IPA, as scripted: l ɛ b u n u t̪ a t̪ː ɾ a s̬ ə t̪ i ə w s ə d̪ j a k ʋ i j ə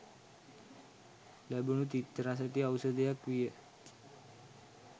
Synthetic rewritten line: l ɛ b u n u t̪ i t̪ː ɾ a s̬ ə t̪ i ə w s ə d̪ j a k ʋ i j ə

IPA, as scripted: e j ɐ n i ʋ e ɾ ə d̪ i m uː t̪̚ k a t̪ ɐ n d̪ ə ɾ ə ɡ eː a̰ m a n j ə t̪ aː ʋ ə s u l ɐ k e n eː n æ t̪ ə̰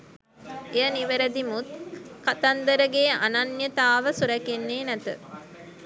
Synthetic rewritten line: e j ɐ n i ʋ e ɾ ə d̪ i m u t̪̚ k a t̪ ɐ n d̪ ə ɾ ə ɡ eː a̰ n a n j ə t̪ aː ʋ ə s u ɾ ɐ k e nː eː n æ t̪ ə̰

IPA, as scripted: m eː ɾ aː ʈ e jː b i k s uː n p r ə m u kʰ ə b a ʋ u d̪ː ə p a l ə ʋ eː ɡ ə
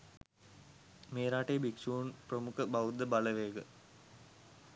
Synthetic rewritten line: m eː ɾ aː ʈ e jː b i k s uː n p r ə m u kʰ ə b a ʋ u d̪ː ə b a l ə ʋ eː ɡ ə

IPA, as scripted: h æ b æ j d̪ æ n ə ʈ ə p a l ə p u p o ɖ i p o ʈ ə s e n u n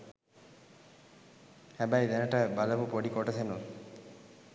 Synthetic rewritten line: h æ b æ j d̪ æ n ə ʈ ə b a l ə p u p o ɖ i k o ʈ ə s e n u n

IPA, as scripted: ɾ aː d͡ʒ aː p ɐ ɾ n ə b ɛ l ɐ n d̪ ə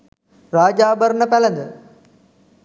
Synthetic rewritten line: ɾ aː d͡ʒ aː b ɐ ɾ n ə p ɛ l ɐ n d̪ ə

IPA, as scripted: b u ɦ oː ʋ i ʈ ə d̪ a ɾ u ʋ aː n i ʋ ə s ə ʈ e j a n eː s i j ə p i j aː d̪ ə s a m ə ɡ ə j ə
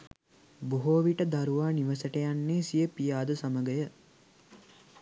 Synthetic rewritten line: b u ɦ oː ʋ i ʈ ə d̪ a ɾ u ʋ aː n i ʋ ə s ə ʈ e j a nː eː s i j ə p i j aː d̪ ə s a m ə ɡ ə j ə

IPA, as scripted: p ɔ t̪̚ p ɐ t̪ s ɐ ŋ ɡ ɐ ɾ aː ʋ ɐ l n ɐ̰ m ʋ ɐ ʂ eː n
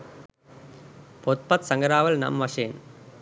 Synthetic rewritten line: p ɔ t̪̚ p ɐ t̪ s ɐ ŋ ɡ ɐ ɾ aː ʋ ɐ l n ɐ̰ m ʋ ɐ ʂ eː n

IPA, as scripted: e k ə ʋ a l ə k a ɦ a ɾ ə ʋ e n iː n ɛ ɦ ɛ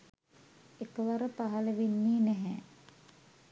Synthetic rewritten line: e k ə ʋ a ɾ ə p a ɦ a l ə ʋ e nː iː n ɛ ɦ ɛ

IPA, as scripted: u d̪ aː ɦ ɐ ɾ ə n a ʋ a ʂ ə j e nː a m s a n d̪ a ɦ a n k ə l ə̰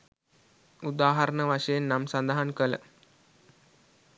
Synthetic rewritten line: u d̪ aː ɦ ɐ ɾ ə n ə ʋ a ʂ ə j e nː a m s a n d̪ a ɦ a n k ə l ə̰

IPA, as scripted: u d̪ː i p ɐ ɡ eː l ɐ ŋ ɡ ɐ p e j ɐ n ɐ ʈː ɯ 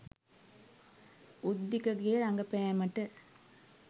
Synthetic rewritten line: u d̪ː i k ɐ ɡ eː ɾ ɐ ŋ ɡ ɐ p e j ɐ m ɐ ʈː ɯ

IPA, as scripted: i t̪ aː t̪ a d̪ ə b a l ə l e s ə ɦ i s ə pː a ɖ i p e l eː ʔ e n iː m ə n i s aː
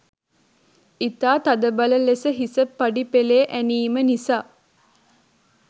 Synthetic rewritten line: i t̪ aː t̪ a d̪ ə b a l ə l e s ə ɦ i s ə pː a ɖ i p e l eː ʔ æ n iː m ə n i s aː

